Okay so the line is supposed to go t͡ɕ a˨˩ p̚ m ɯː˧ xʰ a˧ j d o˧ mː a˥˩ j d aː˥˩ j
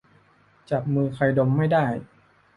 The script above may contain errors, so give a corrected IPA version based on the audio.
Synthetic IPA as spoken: t͡ɕ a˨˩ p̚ m ɯː˧ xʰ a˧ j d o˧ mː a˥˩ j d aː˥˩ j